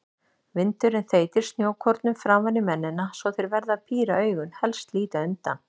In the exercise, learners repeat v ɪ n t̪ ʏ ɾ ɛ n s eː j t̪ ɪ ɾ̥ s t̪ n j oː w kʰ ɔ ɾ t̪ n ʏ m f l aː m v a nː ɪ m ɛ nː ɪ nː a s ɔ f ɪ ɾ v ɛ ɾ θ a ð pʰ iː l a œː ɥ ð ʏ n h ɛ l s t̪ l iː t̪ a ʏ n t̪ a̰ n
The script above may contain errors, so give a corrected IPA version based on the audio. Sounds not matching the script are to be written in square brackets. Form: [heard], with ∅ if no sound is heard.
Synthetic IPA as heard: v ɪ n t̪ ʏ ɾ ɛ n [θ] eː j t̪ ɪ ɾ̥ s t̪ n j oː w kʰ ɔ ɾ t̪ n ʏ m f [ɾ] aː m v a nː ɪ m ɛ nː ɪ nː a s ɔ [θ] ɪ ɾ v ɛ ɾ [ð] a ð pʰ iː [ɾ] a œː ɥ [ɣ] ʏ n h ɛ l s t̪ l iː t̪ a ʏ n t̪ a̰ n